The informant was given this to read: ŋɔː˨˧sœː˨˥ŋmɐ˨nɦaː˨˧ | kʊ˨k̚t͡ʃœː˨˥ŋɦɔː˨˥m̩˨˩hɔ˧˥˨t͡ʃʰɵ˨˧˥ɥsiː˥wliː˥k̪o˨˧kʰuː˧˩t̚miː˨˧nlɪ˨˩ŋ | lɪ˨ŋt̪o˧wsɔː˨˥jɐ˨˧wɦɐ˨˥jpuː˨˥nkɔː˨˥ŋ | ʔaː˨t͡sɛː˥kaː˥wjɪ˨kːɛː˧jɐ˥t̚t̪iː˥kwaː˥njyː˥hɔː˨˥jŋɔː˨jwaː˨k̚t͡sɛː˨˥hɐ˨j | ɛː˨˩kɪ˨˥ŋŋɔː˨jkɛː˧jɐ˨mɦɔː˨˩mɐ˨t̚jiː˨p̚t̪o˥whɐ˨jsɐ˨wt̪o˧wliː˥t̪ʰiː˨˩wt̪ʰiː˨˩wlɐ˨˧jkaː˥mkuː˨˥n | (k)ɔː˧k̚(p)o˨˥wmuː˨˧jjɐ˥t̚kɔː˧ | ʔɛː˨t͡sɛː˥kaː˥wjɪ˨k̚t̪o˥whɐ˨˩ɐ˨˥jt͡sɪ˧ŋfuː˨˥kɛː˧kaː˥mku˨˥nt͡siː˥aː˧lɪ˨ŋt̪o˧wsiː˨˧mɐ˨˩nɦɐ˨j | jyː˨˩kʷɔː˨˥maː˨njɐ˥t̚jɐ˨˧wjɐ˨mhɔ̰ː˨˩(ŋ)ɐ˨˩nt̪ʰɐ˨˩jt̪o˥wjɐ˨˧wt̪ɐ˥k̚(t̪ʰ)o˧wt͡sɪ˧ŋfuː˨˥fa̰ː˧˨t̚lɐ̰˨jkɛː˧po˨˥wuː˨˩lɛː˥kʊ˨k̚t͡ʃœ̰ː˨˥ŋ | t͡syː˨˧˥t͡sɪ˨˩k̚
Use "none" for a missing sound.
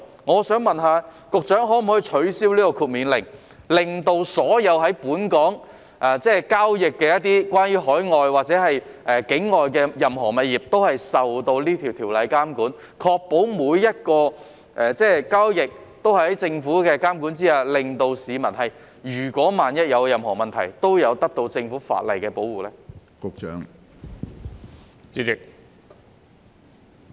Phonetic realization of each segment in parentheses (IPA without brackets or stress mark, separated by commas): kʰ, p, m, t̪